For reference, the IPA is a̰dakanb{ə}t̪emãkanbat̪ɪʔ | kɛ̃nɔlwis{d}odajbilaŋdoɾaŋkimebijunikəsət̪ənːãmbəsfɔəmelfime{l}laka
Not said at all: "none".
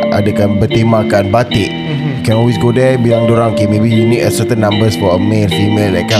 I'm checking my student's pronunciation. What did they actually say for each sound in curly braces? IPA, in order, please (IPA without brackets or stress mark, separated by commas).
ə, ɡ, l